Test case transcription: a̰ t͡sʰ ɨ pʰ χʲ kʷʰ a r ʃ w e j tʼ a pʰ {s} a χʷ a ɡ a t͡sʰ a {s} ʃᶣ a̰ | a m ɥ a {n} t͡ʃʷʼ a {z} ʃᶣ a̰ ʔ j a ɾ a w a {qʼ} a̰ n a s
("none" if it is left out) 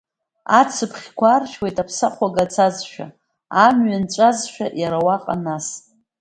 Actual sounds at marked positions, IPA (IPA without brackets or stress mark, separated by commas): s, z, n, z, qʼ